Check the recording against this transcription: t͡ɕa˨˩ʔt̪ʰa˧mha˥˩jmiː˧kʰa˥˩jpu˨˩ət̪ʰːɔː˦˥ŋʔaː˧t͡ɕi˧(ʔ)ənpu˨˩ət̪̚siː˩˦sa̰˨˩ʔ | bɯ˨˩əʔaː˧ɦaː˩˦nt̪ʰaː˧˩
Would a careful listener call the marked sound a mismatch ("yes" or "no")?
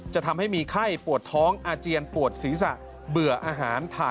yes